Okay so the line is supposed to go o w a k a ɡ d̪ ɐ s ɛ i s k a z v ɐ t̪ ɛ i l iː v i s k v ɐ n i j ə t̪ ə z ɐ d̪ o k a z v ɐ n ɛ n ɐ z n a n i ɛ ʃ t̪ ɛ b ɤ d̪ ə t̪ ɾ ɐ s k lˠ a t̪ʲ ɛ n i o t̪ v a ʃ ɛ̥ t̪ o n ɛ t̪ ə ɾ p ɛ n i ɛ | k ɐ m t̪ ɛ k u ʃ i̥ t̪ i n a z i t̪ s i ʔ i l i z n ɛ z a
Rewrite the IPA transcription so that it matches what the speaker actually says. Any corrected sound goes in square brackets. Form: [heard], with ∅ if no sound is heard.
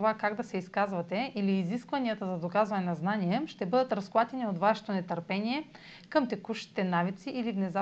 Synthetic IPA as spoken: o [v] a k a ɡ d̪ ɐ s ɛ i s k a z v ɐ t̪ ɛ i l iː [z] i s k v ɐ n i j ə t̪ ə z ɐ d̪ o k a z v ɐ n ɛ n ɐ z n a n i ɛ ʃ t̪ ɛ b ɤ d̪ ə t̪ ɾ ɐ s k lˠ a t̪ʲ ɛ n i o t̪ v a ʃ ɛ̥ t̪ o n ɛ t̪ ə ɾ p ɛ n i ɛ | k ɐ m t̪ ɛ k u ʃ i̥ t̪ [ɛ] n a [v] i t̪ s i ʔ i l i [v] n ɛ z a